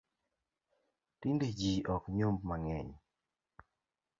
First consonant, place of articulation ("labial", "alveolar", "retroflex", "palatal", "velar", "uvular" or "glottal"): alveolar